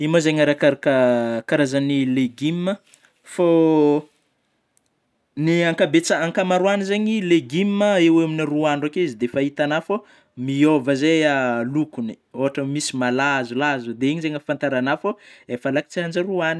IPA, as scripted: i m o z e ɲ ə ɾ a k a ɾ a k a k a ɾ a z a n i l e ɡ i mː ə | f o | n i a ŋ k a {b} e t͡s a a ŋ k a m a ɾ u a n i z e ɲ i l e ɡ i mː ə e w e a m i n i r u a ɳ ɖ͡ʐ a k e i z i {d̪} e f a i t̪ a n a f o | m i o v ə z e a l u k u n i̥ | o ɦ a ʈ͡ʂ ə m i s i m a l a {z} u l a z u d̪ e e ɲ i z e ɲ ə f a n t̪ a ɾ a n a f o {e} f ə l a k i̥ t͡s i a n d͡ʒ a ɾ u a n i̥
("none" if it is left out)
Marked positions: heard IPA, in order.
b, d̪, z, e

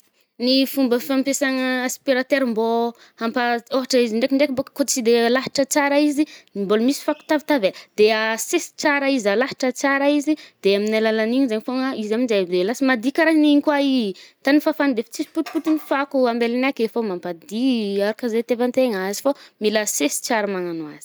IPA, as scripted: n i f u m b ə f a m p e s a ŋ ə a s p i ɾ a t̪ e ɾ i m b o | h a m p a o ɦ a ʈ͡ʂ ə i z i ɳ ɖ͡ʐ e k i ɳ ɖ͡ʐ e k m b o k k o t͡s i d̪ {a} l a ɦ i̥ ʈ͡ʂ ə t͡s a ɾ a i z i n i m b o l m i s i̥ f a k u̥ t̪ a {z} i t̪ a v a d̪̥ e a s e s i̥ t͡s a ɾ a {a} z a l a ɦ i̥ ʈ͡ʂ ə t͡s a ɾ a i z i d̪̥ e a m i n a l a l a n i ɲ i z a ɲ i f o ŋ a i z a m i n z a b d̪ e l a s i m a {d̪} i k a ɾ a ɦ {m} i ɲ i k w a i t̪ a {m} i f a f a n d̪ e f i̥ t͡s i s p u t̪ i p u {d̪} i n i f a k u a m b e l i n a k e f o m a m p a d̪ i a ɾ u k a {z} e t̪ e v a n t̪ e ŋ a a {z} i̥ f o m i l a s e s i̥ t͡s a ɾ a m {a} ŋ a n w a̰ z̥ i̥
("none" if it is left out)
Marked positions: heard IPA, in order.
e, v, i, d̪, n, n, t̪, z, z, a

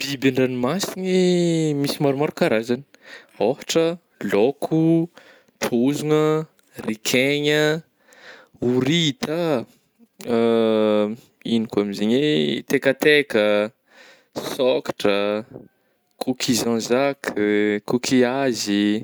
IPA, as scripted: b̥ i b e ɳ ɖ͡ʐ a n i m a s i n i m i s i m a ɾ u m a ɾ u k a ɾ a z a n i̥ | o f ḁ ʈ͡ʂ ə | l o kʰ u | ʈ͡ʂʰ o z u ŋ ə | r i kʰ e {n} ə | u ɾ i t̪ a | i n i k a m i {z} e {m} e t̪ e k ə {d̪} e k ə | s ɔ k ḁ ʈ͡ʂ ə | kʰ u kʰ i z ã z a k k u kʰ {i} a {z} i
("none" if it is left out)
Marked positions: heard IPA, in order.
ɲ, z, ɲ, t̪, i, z

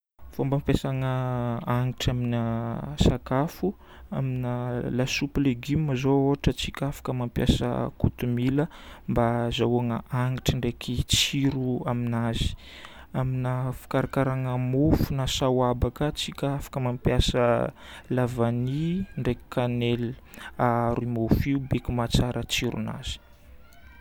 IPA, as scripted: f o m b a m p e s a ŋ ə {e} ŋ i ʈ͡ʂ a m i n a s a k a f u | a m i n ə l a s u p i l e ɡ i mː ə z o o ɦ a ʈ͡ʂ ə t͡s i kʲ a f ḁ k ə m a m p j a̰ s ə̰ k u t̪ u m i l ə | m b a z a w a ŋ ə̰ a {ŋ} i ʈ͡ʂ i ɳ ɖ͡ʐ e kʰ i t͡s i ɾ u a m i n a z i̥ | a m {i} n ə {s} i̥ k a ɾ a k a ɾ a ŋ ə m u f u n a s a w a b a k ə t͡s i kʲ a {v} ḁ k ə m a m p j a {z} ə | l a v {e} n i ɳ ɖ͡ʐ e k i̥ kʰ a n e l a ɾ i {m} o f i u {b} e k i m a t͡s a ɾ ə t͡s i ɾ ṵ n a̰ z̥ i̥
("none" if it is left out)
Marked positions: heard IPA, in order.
a, ŋ, i, f, f, s, a, m, b

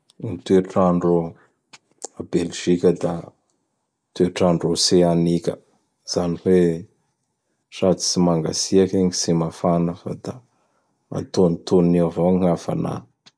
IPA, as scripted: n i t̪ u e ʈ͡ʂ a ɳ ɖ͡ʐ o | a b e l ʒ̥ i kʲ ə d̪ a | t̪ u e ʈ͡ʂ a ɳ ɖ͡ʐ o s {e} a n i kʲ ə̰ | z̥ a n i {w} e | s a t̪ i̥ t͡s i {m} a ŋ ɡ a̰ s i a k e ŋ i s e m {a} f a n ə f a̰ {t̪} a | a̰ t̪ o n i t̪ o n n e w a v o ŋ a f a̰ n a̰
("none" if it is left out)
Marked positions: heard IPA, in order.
e, w, m, a, d̪

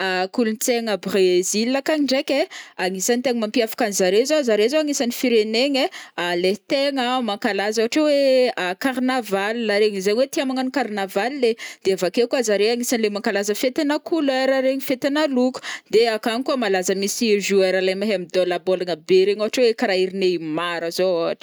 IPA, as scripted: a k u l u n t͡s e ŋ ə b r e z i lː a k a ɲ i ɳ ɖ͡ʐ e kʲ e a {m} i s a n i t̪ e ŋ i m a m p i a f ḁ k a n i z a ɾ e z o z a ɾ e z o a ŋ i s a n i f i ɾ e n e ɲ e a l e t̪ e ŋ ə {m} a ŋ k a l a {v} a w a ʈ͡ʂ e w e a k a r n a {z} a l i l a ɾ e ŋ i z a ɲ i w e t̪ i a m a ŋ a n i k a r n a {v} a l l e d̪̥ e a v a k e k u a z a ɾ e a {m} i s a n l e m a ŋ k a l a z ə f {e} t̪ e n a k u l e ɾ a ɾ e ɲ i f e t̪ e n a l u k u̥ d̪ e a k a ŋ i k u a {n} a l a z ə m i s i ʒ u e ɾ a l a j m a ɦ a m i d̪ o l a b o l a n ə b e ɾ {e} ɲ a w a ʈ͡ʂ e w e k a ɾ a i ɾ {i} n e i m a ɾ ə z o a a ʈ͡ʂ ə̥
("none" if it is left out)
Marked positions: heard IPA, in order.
ŋ, m, z, v, v, ŋ, e, m, e, i

